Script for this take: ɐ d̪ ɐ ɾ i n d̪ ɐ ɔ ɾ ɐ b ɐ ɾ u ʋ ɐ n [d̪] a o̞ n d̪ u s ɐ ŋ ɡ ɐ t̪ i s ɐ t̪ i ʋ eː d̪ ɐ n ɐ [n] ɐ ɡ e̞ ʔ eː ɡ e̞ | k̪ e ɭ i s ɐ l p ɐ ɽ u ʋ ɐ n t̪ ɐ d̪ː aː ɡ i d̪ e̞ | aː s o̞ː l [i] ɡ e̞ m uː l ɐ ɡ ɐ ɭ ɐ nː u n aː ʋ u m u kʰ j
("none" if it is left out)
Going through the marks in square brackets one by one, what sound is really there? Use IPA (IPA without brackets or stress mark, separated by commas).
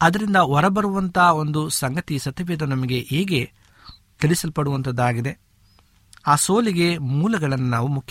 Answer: t̪, m, i